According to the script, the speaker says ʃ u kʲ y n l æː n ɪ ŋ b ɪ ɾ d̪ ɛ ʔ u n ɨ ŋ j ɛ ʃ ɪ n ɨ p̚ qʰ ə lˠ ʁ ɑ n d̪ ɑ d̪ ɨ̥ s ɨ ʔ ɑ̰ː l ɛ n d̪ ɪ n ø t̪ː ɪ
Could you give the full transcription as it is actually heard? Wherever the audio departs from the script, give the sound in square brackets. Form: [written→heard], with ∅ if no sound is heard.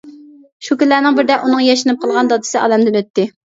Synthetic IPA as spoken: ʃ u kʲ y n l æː n ɪ ŋ b ɪ ɾ d̪ ɛ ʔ u n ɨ ŋ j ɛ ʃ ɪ n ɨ p̚ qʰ ə lˠ ʁ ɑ n d̪ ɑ d̪ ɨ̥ s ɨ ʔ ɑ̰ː l ɛ [n→m] d̪ ɪ n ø t̪ː ɪ